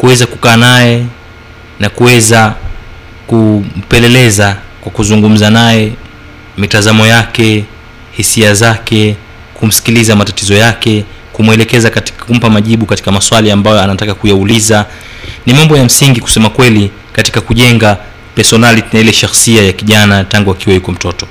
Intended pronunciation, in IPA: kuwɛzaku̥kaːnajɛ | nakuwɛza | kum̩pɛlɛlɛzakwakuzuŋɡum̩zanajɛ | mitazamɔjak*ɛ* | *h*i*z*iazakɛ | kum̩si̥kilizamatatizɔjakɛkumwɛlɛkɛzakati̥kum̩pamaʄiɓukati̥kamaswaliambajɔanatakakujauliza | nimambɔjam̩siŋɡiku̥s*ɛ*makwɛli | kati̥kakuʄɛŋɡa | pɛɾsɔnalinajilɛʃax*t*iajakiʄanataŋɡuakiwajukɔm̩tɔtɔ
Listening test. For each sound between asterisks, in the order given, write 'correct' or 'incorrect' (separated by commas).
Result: correct, correct, incorrect, correct, incorrect